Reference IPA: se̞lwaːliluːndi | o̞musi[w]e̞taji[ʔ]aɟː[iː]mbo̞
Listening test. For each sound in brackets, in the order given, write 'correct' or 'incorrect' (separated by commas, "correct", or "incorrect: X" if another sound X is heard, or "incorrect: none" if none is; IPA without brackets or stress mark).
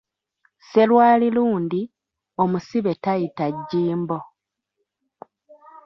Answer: incorrect: β, incorrect: t, correct